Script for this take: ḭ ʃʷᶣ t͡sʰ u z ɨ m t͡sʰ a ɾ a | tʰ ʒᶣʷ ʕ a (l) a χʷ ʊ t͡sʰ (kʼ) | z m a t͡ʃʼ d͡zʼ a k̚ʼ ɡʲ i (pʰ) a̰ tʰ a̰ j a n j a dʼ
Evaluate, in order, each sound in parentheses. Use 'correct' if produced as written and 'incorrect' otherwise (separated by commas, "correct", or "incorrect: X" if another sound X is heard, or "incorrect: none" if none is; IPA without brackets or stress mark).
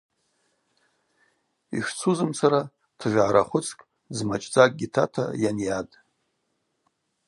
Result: incorrect: ɾ, correct, incorrect: tʰ